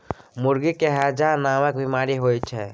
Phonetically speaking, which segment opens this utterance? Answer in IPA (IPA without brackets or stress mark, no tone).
m